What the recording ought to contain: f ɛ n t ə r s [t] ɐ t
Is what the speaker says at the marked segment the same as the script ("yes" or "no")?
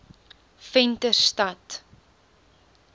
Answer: yes